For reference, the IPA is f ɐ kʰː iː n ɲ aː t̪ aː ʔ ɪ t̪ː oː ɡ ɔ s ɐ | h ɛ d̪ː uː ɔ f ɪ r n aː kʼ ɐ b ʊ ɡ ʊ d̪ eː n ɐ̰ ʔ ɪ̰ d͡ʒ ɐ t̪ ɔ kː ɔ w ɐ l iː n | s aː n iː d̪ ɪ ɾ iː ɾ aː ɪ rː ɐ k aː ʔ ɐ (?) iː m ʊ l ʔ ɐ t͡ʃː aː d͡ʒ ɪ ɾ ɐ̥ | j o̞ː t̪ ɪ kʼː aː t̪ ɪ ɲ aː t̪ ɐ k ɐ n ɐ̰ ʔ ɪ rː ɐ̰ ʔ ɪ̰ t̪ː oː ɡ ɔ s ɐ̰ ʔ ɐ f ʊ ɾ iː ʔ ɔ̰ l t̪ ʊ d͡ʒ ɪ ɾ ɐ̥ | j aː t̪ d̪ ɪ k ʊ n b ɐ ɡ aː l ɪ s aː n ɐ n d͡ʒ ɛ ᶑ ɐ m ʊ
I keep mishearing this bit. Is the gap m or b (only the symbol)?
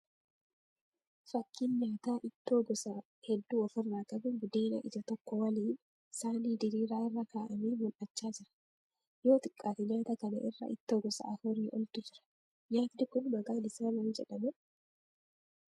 m